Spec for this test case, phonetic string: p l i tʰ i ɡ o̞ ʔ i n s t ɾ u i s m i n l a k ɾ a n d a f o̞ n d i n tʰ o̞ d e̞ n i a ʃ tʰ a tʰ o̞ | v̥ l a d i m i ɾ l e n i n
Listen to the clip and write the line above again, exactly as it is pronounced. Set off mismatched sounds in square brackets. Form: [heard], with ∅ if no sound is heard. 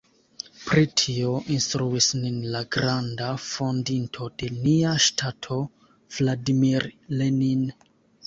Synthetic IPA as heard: p [ɾ] i tʰ i [∅] o̞ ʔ i n s t ɾ u i s [n] i n l a [ɡ] ɾ a n d a f o̞ n d i n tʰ o̞ d e̞ n i a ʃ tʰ a tʰ o̞ | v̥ l a d i m i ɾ l e n i n